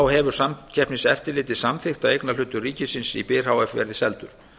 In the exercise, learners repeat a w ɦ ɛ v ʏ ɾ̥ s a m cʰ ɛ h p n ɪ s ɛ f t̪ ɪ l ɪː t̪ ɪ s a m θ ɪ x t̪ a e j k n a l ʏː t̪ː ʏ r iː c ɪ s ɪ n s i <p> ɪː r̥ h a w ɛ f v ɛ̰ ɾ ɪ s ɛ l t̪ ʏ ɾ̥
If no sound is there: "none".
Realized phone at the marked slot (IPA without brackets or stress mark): p